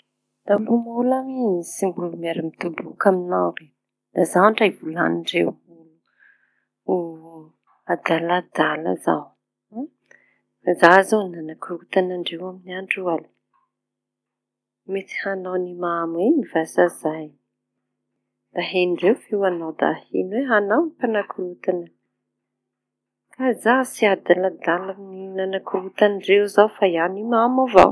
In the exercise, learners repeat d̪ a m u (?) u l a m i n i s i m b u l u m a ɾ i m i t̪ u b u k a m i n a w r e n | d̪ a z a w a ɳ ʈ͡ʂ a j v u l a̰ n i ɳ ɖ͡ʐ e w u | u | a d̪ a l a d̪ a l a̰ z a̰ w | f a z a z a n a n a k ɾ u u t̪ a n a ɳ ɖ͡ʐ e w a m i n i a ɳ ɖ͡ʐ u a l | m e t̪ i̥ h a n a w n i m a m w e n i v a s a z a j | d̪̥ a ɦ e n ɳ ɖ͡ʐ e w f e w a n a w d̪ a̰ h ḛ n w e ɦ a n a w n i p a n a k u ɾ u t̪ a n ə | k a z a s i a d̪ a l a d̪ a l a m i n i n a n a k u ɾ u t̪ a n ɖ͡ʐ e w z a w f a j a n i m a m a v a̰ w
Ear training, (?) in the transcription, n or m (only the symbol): m